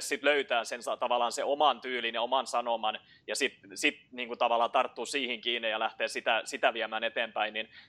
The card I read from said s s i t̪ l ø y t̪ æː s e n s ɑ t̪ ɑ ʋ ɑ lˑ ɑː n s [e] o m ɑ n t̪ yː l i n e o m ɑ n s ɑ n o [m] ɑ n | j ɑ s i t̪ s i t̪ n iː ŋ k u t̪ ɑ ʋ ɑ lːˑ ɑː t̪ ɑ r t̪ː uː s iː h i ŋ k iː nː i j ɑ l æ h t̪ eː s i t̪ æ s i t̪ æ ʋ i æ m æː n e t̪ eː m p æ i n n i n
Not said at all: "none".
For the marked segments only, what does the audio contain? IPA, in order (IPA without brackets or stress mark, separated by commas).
e, m